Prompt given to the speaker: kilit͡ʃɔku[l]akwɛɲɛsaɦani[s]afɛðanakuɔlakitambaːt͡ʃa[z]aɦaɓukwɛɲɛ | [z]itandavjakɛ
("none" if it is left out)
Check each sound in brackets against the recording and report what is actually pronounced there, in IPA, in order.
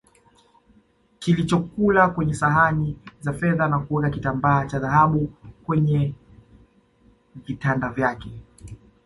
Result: l, z, ð, v

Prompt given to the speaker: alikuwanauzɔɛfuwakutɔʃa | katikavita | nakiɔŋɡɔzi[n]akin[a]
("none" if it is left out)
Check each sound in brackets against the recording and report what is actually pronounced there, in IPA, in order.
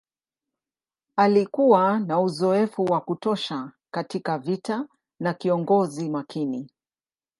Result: m, i

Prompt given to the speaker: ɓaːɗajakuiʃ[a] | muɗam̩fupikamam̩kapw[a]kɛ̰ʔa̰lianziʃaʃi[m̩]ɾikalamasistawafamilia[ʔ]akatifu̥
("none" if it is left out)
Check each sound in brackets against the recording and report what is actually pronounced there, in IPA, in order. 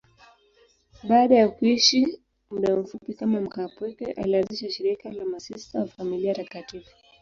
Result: i, ɛ, none, t

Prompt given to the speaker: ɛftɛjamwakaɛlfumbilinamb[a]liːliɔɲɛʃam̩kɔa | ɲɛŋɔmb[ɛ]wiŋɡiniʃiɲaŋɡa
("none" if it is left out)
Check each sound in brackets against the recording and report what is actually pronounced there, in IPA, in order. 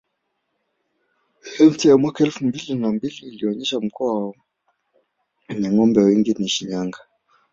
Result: i, ɛ

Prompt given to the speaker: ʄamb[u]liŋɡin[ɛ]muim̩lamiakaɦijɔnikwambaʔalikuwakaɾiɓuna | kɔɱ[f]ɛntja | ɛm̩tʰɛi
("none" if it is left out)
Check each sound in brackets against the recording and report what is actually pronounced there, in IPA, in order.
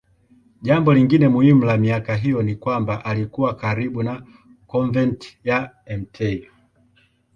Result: ɔ, ɛ, v

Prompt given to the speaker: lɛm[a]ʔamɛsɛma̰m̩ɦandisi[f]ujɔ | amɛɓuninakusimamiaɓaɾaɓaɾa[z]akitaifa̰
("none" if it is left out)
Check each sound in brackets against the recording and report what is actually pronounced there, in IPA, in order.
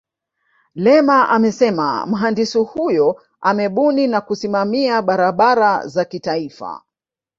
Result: a, h, z

